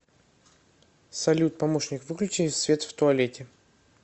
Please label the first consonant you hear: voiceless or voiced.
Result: voiceless